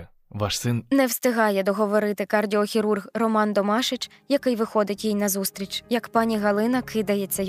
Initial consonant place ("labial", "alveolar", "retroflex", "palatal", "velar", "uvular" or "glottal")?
labial